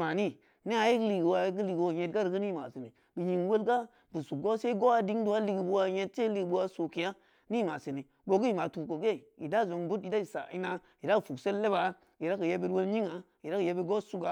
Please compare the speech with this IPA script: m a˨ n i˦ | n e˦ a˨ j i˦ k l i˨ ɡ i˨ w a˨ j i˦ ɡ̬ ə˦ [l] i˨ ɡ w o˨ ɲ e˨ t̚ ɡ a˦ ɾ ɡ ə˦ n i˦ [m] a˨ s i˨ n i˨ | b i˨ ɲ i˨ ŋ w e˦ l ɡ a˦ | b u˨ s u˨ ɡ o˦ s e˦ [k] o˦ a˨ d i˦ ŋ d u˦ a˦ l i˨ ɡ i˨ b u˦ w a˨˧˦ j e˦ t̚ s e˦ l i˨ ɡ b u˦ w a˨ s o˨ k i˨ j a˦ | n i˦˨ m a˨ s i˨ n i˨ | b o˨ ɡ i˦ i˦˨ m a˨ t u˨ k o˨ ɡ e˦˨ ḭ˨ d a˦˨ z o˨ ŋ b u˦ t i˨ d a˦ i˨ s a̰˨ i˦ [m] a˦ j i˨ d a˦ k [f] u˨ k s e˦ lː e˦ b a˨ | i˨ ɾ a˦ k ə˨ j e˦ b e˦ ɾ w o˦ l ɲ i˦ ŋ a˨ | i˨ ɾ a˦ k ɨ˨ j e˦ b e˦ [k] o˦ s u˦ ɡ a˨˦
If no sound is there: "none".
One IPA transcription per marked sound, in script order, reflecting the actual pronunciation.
l, m, ɡ, n, f, ɡ

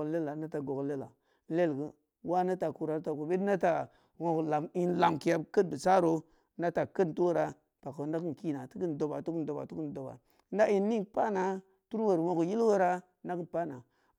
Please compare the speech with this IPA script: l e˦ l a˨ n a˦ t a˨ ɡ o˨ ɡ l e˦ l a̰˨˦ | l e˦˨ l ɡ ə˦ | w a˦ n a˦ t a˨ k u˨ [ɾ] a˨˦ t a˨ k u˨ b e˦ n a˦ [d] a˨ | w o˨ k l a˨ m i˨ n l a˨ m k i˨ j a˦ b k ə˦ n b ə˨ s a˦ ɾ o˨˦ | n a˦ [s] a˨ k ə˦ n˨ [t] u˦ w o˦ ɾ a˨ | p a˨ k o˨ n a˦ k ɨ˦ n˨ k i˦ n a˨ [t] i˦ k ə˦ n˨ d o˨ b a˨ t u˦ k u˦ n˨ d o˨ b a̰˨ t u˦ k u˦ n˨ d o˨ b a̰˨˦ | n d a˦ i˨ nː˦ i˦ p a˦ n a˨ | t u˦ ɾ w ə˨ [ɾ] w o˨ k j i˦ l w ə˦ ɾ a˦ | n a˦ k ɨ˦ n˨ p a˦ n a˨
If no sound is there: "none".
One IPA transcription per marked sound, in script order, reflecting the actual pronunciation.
ɾ, t, t, t, t, ɾ

